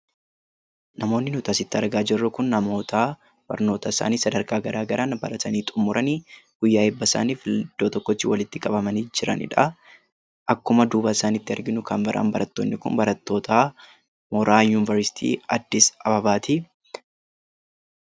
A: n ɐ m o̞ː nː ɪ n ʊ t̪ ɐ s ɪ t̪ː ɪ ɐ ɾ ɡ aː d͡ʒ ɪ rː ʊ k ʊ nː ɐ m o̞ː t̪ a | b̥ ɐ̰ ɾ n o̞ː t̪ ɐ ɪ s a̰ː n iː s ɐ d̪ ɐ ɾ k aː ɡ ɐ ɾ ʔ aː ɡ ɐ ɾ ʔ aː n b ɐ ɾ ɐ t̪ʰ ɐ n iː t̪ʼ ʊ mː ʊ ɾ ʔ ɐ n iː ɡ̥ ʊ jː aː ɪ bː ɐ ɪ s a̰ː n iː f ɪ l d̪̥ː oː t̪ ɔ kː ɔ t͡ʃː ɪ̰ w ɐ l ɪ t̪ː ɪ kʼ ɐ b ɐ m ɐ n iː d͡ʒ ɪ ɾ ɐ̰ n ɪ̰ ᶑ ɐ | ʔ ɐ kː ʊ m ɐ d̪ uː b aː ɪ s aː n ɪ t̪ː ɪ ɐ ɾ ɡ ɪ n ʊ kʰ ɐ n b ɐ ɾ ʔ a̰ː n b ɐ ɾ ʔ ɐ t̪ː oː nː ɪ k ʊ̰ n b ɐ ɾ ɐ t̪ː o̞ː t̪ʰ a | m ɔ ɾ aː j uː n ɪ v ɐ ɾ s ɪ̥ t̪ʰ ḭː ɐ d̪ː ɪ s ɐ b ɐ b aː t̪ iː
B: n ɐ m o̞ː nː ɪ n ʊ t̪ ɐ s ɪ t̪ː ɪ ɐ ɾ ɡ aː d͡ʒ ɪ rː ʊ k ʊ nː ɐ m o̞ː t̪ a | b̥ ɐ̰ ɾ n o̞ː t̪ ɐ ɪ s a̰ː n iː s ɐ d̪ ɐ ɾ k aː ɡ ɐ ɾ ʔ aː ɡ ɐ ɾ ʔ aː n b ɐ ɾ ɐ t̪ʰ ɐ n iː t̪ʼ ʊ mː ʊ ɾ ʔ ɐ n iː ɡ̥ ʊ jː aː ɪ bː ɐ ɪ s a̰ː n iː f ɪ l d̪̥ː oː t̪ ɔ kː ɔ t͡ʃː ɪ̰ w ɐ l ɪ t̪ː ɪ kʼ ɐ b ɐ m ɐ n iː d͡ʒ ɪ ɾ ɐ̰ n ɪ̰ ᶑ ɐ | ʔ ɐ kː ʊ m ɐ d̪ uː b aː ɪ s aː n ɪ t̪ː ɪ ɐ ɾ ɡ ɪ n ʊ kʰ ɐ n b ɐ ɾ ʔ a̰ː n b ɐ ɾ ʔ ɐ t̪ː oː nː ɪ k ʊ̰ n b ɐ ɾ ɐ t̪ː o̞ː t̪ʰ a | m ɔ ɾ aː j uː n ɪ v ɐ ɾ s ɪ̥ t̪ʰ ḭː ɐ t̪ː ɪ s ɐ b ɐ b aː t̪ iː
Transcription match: A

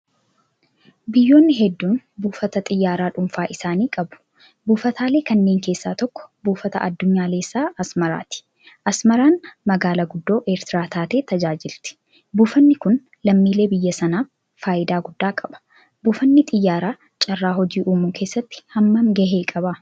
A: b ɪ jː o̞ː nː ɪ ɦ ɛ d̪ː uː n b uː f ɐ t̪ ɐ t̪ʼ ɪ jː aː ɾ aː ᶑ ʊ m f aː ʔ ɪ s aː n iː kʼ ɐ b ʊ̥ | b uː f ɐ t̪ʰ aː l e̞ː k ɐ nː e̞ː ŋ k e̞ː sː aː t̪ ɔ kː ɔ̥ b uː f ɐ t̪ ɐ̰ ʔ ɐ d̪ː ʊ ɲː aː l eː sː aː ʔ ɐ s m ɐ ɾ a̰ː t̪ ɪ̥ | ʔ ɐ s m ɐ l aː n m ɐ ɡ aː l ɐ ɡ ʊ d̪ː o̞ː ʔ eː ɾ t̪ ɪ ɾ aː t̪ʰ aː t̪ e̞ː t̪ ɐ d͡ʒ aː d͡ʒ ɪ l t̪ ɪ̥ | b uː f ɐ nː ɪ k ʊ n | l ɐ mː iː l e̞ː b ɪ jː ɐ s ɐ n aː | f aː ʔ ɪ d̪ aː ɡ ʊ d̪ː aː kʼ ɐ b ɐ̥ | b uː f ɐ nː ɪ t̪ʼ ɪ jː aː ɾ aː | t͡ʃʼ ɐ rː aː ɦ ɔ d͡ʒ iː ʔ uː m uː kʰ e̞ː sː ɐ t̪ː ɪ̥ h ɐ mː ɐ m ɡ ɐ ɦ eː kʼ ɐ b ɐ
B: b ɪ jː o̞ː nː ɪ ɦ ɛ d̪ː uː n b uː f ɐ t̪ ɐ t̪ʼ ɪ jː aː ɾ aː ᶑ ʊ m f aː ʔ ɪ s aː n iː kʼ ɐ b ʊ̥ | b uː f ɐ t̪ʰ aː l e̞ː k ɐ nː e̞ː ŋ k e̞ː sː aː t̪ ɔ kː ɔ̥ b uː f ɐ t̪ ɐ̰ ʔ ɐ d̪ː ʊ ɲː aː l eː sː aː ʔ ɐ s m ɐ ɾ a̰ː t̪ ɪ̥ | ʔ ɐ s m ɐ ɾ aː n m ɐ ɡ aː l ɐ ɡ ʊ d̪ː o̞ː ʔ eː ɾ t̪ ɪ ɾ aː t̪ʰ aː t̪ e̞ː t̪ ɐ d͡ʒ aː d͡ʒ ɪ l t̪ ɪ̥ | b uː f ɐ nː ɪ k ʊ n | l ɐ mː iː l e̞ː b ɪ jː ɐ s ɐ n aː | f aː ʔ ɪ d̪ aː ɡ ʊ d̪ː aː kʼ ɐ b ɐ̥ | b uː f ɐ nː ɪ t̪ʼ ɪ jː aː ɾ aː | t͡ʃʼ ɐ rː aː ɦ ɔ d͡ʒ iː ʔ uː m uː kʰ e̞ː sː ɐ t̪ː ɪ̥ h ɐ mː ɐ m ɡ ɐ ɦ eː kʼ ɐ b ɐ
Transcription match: B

